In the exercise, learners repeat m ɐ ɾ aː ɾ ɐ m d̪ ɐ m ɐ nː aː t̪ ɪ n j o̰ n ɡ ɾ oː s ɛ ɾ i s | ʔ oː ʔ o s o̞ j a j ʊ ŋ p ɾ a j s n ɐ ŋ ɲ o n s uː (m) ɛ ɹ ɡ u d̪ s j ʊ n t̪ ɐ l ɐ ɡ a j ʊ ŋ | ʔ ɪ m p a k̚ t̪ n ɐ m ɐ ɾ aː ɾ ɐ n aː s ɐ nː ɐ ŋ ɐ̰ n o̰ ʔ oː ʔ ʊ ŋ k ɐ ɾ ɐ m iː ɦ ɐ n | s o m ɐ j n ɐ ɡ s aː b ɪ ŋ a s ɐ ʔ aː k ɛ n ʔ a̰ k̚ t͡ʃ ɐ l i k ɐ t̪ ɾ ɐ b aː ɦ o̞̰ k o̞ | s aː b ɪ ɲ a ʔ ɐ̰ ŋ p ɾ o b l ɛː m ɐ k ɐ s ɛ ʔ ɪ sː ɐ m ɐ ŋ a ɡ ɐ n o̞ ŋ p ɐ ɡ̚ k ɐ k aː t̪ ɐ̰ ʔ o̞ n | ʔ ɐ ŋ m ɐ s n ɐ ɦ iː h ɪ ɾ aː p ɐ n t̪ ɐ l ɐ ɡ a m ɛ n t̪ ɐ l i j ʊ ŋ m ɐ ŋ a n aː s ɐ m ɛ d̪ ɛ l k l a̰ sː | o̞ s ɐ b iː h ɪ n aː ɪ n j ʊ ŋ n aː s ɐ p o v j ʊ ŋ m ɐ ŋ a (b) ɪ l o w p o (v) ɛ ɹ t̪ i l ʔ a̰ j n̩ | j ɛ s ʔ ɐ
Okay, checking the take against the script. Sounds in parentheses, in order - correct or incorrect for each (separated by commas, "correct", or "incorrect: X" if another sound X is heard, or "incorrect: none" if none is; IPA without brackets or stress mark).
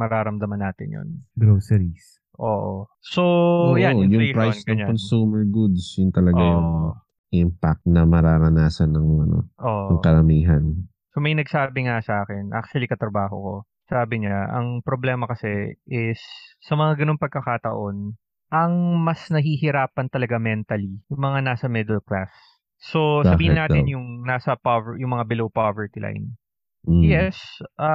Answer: correct, correct, correct